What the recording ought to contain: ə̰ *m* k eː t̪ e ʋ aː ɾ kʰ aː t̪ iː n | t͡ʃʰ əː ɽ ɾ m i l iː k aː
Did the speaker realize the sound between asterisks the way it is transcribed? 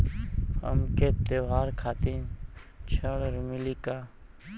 yes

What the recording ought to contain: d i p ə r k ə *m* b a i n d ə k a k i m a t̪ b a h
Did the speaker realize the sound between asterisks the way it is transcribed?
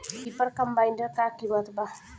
yes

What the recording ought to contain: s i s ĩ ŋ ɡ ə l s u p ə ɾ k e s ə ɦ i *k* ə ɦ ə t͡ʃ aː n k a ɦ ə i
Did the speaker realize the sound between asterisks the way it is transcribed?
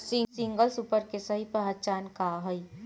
no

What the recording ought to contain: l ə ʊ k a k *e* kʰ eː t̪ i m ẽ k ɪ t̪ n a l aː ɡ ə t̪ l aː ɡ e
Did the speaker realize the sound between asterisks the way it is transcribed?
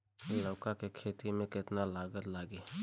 yes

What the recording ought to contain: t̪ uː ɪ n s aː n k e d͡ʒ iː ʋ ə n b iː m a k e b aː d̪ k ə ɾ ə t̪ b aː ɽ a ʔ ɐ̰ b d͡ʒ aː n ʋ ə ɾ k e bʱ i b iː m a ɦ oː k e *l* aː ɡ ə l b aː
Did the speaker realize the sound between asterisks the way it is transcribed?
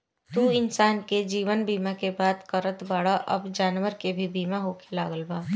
yes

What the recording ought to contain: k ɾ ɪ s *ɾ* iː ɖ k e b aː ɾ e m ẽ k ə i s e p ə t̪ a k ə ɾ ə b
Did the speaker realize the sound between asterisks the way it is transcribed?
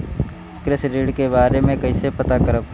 yes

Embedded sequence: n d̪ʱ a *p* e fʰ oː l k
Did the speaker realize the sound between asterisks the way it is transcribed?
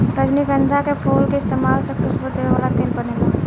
no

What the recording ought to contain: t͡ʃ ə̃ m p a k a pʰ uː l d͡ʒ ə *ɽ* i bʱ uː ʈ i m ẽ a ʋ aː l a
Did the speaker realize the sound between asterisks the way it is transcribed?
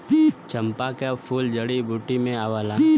yes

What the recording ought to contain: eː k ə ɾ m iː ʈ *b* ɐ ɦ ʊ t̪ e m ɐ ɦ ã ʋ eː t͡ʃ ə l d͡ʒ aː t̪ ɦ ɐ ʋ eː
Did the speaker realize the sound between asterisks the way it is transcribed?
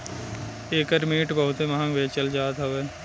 yes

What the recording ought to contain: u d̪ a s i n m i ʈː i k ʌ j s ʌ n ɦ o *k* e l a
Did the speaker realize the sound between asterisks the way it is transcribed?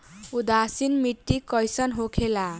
no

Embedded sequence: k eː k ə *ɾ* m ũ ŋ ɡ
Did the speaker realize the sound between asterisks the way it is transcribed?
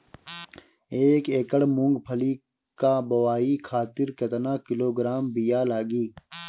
no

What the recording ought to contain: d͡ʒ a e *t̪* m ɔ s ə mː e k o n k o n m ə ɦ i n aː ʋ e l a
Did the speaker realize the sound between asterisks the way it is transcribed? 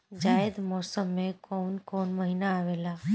no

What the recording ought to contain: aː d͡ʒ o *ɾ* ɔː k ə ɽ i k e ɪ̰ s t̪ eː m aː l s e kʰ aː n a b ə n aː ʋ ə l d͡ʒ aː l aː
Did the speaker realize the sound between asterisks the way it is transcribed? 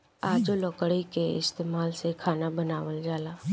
no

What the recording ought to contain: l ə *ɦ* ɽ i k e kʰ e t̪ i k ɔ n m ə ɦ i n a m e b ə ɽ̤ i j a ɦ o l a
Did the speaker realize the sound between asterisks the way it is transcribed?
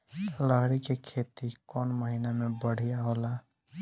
yes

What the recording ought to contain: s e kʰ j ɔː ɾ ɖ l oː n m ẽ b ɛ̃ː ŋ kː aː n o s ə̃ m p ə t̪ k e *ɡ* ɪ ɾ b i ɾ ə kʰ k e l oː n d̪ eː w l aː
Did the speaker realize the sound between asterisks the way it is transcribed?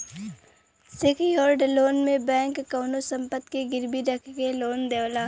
yes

